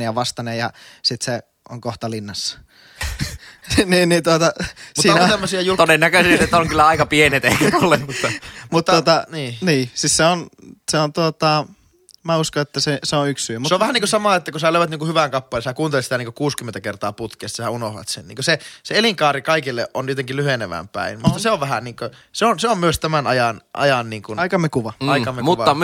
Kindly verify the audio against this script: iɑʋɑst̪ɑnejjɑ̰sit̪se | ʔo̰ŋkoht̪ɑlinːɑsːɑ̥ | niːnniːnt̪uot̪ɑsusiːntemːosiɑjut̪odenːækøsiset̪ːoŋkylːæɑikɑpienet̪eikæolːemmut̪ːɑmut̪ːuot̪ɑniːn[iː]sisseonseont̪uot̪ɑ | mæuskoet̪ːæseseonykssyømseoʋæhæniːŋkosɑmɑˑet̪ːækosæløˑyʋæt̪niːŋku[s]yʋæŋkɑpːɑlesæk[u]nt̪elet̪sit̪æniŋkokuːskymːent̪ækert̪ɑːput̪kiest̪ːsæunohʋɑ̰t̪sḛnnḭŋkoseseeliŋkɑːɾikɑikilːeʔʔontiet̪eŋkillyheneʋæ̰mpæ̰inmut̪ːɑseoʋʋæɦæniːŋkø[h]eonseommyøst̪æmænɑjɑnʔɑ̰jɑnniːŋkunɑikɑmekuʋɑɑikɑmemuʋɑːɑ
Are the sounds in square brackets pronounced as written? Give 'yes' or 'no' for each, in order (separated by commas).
yes, no, no, no